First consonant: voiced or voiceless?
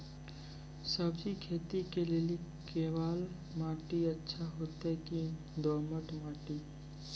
voiceless